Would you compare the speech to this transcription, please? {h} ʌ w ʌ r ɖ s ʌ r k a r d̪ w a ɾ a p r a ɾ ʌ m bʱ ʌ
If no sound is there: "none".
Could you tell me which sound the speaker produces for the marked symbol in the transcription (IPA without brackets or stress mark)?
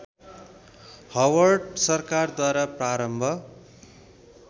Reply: h